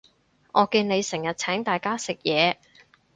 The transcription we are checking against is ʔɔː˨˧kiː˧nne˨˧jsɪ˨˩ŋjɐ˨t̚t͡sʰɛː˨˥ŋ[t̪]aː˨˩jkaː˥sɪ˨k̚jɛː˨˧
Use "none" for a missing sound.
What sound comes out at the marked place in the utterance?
t̪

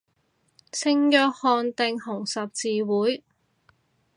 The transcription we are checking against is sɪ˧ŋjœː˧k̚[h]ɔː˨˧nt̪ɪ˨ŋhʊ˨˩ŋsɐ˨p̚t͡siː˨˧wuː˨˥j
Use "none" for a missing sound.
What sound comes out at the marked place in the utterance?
h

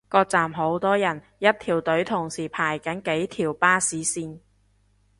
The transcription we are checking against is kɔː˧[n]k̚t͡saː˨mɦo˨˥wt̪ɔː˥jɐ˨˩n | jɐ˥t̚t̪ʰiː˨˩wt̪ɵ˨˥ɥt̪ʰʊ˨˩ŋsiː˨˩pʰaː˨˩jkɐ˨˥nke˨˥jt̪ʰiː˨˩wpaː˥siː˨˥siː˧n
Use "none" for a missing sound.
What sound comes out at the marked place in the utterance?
none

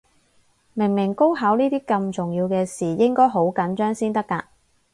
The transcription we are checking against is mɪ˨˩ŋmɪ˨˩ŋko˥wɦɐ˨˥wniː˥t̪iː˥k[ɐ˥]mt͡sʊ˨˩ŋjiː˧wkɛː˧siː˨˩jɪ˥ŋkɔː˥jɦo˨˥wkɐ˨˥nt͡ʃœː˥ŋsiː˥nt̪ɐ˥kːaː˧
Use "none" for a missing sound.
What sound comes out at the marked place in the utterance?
ɐ˧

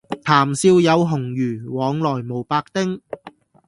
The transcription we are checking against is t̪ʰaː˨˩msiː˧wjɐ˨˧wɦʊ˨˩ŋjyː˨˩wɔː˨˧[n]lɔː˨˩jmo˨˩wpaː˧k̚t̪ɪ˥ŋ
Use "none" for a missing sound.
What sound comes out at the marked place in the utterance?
ŋ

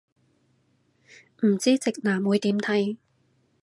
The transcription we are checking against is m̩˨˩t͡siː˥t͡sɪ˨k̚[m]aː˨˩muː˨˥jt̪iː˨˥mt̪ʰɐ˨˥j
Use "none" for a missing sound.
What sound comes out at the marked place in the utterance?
n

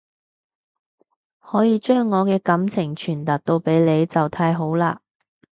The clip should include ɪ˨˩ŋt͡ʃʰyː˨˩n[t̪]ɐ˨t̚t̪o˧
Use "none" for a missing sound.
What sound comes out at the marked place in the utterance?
t̪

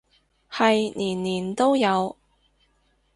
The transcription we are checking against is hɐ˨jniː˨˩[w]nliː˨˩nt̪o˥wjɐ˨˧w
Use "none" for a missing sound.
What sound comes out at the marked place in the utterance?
none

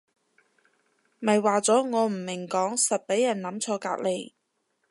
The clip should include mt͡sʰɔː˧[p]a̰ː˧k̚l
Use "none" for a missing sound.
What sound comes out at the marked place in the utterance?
k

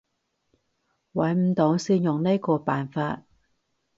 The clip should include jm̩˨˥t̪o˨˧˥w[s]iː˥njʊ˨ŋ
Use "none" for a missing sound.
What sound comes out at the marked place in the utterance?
s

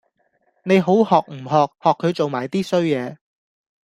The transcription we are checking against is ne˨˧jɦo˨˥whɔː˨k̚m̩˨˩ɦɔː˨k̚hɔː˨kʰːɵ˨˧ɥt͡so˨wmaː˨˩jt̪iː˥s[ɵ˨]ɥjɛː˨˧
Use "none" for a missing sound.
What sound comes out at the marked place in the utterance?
ɵ˥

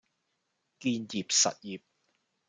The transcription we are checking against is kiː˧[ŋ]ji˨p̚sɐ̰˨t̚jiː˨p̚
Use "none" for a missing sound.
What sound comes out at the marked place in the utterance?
n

